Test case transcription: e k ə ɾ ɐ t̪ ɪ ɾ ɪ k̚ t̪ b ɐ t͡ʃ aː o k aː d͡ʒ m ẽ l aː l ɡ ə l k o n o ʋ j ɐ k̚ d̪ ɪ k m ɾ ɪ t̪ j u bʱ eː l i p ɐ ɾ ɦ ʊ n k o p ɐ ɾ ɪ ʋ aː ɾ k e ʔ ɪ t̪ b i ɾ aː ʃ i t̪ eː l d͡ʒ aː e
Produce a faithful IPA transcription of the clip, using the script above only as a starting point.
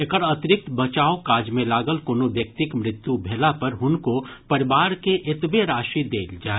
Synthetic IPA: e k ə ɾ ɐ t̪ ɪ ɾ ɪ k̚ t̪ b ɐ t͡ʃ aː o k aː d͡ʒ m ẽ l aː ɡ ə l k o n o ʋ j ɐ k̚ t̪ ɪ k m ɾ ɪ t̪ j u bʱ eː l a p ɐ ɾ ɦ ʊ n k o p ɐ ɾ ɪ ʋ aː ɾ k e ʔ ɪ t̪ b e ɾ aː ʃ i d̪ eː l d͡ʒ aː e